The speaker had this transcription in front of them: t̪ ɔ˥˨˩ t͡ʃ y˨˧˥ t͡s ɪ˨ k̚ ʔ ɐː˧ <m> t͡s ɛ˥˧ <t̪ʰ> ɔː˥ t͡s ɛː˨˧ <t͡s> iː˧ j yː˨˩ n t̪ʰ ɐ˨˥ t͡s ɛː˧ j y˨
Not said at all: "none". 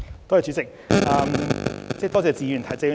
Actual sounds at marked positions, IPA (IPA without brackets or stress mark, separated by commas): m, t̪, t͡s